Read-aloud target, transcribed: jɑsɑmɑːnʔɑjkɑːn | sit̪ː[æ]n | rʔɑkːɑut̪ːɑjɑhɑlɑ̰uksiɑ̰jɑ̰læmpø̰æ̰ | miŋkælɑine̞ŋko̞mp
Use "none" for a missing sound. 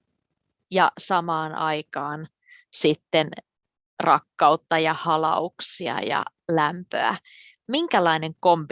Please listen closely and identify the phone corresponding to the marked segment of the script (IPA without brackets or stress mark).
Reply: e